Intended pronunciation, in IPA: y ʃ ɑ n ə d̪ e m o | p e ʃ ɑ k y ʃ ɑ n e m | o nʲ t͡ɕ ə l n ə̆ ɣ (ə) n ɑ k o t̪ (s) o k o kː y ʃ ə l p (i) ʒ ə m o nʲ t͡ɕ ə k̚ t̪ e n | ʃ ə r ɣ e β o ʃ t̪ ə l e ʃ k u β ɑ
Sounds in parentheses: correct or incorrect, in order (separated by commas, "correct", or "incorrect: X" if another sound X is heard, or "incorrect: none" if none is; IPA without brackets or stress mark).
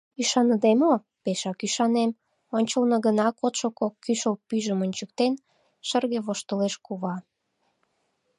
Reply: correct, incorrect: ʃ, incorrect: y